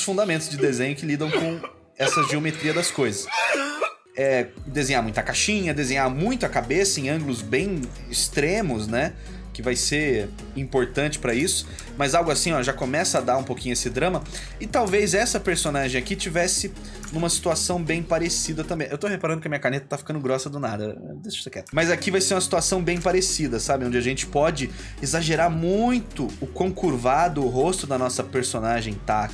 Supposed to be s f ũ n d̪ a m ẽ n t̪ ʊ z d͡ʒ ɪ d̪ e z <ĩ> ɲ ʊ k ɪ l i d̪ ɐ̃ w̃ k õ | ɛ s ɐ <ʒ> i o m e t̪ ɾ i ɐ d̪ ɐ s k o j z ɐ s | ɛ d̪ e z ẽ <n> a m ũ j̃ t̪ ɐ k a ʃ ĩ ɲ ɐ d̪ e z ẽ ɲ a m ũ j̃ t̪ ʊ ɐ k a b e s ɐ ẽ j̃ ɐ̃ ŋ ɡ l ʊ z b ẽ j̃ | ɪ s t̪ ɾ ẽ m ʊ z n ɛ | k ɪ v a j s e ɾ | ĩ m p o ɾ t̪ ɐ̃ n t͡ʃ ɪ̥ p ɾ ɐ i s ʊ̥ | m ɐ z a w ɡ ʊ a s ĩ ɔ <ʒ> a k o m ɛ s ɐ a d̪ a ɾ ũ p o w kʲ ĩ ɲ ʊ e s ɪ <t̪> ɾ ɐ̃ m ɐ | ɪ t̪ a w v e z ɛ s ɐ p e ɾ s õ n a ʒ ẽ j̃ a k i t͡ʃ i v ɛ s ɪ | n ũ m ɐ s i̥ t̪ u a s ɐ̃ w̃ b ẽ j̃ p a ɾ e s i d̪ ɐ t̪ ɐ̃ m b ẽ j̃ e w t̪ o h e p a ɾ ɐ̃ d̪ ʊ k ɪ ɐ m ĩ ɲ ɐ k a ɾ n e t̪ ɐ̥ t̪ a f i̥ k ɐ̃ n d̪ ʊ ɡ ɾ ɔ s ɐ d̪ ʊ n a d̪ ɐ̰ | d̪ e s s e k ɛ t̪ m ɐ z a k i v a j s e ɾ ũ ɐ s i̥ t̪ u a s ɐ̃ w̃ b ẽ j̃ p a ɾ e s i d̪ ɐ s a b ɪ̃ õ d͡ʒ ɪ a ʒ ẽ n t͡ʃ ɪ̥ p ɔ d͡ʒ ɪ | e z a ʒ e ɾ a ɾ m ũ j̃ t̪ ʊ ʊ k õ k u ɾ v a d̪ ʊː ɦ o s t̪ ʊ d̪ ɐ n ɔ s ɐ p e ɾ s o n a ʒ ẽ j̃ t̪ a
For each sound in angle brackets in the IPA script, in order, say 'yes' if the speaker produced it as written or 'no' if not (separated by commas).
no, yes, no, yes, no